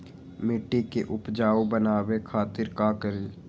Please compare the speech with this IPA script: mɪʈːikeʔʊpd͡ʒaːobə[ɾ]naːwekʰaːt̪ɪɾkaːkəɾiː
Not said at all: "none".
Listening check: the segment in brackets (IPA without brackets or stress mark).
none